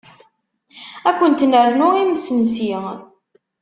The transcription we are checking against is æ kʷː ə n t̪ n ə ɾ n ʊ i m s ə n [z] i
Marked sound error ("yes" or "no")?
yes